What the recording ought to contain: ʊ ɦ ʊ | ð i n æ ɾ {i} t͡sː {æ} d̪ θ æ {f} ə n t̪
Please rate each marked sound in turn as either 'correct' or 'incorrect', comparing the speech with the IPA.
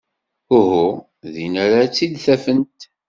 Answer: incorrect, incorrect, correct

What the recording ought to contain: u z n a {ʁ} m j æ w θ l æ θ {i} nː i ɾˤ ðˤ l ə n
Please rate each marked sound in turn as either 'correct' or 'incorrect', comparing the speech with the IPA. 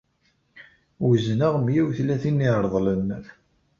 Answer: correct, correct

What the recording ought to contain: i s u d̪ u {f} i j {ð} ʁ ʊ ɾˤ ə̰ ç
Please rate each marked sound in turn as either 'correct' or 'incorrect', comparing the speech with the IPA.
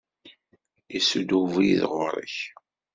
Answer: incorrect, correct

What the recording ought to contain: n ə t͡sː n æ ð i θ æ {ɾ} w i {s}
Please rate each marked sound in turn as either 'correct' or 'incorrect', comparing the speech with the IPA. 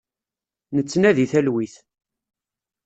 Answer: incorrect, incorrect

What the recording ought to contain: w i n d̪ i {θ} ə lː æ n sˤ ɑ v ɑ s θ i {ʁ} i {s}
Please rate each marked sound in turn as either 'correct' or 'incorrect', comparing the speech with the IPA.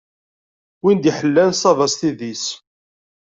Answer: incorrect, incorrect, correct

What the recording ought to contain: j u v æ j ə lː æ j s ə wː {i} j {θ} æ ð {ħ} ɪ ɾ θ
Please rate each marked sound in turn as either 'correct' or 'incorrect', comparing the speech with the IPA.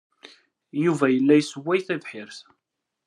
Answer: incorrect, correct, correct

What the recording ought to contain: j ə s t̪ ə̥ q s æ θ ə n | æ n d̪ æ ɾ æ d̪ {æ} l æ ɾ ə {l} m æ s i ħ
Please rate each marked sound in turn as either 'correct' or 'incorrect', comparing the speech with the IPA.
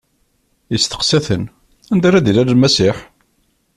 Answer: incorrect, correct

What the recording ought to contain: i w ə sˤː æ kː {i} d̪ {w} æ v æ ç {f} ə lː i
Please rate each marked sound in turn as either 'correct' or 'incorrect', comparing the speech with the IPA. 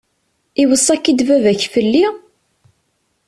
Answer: correct, incorrect, correct

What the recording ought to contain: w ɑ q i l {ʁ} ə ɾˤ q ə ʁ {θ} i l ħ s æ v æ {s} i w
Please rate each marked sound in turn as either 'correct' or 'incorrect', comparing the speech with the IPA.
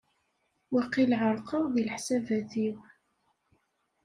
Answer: incorrect, incorrect, incorrect

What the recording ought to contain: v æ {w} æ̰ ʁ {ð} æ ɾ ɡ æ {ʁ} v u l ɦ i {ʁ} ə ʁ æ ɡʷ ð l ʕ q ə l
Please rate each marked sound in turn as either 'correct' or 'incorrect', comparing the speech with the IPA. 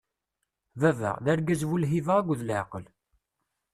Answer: incorrect, correct, incorrect, incorrect

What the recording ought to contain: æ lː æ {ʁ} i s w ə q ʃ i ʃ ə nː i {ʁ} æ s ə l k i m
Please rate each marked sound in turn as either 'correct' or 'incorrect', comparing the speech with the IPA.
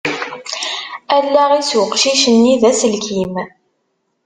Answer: correct, incorrect

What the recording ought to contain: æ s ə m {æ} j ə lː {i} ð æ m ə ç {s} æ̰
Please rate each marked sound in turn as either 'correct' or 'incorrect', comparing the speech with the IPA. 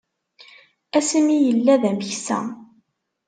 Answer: incorrect, incorrect, correct

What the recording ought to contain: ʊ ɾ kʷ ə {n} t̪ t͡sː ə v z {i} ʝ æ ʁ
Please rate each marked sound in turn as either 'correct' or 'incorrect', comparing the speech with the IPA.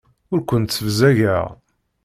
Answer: correct, incorrect

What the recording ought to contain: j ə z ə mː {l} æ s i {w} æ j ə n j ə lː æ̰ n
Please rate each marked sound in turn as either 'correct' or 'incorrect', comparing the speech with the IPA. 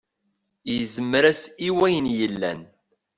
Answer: incorrect, correct

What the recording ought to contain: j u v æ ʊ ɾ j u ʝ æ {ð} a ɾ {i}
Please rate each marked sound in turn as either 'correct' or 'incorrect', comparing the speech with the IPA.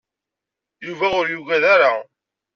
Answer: correct, incorrect

